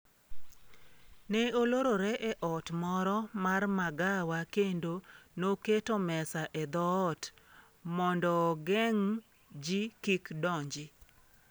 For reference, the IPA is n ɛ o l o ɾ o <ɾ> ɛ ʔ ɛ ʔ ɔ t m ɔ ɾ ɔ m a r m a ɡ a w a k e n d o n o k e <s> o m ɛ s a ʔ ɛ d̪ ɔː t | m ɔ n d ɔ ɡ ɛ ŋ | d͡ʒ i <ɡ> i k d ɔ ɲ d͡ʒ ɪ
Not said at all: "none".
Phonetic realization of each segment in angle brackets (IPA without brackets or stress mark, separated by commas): ɾ, t, k